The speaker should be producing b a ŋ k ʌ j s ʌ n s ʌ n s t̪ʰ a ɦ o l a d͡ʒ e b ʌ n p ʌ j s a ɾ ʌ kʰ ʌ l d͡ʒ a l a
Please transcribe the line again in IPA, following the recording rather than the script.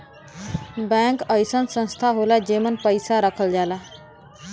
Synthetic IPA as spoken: b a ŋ k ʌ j s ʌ n s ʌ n s t̪ʰ a ɦ o l a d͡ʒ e m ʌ n p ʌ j s a ɾ ʌ kʰ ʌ l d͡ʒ a l a